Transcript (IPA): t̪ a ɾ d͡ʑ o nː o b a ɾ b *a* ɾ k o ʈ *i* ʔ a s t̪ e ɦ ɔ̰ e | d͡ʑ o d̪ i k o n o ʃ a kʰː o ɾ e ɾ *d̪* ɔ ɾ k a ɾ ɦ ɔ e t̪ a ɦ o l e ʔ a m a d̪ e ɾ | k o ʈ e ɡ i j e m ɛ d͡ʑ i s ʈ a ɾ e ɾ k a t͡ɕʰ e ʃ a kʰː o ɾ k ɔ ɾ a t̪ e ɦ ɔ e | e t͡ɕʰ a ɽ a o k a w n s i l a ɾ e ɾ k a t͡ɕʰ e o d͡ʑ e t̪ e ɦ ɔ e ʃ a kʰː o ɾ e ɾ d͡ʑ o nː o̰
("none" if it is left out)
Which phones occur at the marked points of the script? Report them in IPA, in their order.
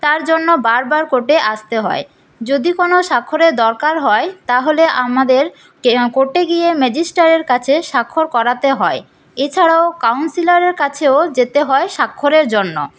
a, e, d̪

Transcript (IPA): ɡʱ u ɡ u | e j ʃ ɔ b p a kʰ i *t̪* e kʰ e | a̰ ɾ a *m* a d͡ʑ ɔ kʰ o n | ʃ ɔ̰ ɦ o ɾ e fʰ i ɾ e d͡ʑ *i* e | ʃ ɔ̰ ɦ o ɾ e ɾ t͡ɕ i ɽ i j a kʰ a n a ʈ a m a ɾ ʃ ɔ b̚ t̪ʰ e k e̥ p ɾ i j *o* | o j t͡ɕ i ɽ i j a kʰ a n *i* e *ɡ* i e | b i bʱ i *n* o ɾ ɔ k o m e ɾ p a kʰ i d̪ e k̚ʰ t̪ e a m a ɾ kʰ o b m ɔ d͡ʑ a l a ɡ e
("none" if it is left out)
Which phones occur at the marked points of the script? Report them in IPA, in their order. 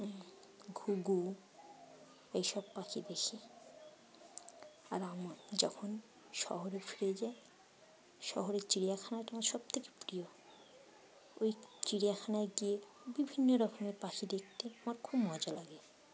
d̪, m, a, o, a, ɡ, nː

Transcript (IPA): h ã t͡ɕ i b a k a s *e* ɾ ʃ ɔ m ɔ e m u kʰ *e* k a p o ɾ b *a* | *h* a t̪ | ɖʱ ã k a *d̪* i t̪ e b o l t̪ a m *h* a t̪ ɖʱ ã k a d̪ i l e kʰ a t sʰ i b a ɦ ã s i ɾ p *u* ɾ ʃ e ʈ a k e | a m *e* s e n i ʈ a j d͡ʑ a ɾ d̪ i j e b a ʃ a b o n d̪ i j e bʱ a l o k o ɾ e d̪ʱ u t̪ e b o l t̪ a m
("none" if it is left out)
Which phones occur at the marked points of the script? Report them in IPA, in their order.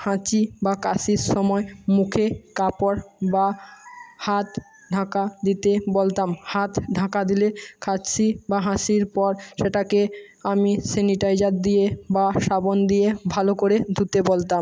i, e, a, h, d̪, h, ɔ, i

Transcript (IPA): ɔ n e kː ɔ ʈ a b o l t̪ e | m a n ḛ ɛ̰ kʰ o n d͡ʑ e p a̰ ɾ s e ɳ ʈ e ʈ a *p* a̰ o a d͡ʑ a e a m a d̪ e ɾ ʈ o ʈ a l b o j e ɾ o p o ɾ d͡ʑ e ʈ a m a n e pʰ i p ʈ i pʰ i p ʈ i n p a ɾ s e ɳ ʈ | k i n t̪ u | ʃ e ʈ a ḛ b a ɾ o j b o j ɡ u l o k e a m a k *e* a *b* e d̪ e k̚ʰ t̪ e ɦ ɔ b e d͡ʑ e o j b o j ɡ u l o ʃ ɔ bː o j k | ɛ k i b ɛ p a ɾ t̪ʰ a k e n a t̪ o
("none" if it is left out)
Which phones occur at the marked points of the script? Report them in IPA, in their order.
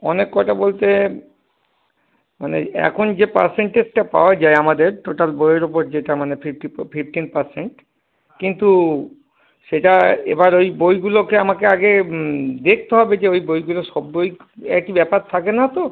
p, e, ɡ

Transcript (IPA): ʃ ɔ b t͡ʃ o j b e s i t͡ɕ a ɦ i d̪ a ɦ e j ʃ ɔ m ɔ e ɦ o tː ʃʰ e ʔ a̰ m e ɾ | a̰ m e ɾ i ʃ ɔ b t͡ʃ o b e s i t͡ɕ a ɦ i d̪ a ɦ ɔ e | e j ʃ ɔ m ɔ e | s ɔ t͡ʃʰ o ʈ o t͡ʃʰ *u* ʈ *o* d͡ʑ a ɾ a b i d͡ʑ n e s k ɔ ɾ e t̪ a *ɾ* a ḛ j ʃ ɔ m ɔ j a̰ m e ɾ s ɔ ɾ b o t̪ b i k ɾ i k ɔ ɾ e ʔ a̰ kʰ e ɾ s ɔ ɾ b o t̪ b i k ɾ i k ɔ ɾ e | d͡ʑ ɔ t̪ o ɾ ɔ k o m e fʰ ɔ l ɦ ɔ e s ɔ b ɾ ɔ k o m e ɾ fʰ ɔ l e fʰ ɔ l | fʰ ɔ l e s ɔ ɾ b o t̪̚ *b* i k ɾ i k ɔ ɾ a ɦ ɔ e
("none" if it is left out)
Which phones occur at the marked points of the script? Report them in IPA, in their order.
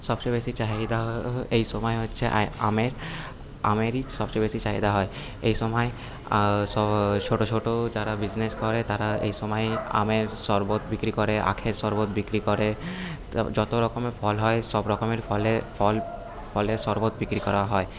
o, o, ɾ, b

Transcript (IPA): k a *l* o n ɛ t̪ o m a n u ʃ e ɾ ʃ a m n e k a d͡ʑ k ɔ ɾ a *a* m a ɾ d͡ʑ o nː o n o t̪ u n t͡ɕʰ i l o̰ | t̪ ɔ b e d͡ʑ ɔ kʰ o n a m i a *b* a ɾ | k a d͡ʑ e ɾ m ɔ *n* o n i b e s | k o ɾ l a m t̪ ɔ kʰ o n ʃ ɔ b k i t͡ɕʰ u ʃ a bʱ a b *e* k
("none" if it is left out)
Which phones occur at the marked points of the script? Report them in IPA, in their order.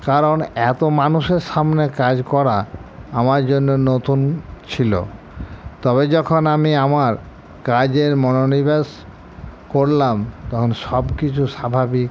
ɾ, a, m, n, i

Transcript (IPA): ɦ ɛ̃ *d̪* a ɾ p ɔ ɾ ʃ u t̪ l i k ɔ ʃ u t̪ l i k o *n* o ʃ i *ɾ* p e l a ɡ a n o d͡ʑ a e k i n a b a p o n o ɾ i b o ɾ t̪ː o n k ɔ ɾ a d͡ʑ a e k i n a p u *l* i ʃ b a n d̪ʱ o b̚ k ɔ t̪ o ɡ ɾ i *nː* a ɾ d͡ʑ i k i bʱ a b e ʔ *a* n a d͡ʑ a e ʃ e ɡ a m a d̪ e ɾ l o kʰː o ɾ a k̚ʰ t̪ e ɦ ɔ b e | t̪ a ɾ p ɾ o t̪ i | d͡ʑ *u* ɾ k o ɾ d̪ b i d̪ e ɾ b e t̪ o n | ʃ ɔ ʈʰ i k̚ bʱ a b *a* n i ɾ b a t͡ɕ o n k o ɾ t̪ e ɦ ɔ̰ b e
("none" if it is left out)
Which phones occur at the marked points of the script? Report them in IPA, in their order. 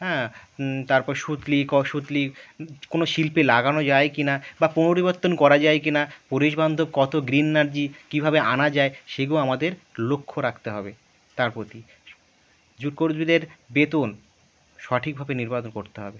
t̪, n, l, ɾ, nː, a, u, e

